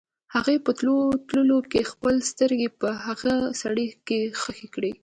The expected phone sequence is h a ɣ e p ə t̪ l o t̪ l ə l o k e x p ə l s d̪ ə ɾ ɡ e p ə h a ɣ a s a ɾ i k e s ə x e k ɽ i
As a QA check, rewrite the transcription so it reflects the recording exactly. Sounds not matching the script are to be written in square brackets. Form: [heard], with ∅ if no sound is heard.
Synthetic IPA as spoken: h a ɣ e p ə t̪ l o t̪ l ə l o k e x p ə l s [t̪] ə ɾ ɡ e p ə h a ɣ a s a [ɽ] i k e [x] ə x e k ɽ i